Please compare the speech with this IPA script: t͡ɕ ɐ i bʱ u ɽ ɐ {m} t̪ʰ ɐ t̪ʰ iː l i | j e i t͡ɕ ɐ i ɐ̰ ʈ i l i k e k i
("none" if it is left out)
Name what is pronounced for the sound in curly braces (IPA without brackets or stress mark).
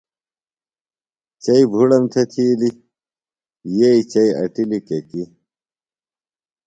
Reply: m